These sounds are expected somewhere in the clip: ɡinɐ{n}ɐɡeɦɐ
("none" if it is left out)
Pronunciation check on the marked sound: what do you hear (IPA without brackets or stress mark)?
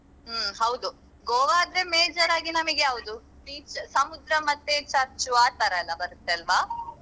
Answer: m